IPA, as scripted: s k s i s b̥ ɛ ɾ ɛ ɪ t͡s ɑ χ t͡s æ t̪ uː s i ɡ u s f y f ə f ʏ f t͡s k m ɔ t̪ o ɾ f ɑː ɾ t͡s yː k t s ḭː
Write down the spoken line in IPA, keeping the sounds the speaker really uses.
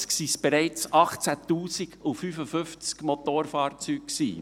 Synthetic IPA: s k s i s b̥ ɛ ɾ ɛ ɪ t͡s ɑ χ t͡s æ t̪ uː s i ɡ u f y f ə f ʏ f t͡s k m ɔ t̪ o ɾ f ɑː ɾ t͡s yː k k s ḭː